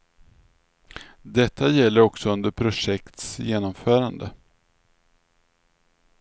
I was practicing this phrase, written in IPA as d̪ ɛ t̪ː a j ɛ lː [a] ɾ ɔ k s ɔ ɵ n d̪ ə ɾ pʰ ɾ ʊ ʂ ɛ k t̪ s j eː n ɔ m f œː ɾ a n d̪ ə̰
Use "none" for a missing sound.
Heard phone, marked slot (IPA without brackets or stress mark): ə